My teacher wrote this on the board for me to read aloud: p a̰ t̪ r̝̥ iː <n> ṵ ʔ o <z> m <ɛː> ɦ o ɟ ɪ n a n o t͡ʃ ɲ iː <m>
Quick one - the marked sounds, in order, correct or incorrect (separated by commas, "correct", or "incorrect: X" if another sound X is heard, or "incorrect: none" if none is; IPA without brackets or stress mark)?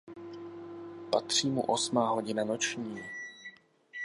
incorrect: m, incorrect: s, incorrect: aː, incorrect: none